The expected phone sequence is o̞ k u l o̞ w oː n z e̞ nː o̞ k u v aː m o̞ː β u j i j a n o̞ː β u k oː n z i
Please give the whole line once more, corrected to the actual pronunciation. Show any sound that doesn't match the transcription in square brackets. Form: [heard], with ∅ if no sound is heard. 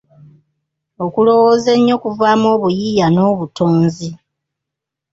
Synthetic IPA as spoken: o̞ k u l o̞ w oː [∅] z e̞ [ɲː] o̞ k u v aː m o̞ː β u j i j a n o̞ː β u [t] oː n z i